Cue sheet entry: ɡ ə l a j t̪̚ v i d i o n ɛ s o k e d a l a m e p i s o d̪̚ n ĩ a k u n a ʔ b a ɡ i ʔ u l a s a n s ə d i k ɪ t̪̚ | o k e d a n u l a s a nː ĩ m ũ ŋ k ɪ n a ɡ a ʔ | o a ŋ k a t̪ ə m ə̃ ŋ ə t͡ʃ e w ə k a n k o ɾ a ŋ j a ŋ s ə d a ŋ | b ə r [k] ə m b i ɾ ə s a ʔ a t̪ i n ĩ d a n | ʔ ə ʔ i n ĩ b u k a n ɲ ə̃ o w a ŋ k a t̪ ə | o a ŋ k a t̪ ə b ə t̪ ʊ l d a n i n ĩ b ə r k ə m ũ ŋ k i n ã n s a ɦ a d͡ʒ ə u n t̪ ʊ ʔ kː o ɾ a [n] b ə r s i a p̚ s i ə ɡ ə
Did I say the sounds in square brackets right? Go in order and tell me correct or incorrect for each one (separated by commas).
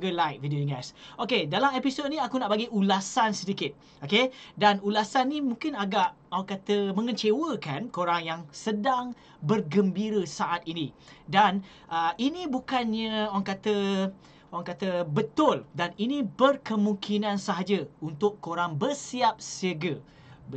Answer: incorrect, incorrect